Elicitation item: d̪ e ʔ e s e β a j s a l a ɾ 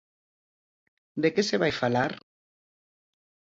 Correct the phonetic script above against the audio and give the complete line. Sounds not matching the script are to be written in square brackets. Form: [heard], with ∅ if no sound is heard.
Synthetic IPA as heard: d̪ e [k] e s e β a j [f] a l a ɾ

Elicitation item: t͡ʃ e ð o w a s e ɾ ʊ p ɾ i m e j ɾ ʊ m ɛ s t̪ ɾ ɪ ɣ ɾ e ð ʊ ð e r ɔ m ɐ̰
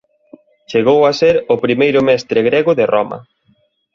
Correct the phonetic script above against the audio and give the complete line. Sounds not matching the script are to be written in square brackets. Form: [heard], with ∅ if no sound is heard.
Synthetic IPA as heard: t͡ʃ e [ɣ] o w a s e ɾ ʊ p ɾ i m e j ɾ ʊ m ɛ s t̪ ɾ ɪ ɣ ɾ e [ɣ] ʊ ð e r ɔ m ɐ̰

